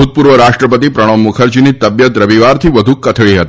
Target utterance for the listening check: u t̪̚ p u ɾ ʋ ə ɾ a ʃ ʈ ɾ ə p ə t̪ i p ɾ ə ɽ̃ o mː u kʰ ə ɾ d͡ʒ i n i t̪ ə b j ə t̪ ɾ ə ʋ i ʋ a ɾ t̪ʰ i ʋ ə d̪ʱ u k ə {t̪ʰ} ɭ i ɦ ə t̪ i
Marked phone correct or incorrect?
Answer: correct